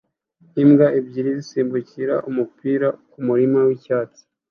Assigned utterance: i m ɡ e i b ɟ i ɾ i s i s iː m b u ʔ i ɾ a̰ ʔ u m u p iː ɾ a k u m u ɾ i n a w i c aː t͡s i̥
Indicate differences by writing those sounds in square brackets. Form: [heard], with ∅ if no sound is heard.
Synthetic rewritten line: i m ɡ [a] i b ɟ i ɾ i [z] i s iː m b u [c] i ɾ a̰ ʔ u m u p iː ɾ a k u m u ɾ i [m] a w i c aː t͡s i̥